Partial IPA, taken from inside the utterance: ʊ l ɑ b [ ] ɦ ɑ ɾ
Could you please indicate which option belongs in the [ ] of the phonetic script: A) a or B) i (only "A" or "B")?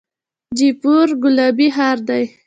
B